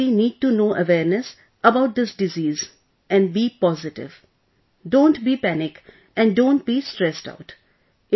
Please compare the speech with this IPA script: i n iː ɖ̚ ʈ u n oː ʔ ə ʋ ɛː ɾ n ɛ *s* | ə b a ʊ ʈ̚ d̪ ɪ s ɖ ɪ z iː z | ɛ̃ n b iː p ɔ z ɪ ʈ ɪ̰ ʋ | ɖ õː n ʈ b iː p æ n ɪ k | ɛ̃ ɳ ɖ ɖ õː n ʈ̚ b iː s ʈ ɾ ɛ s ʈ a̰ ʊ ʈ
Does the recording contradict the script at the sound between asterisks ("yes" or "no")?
no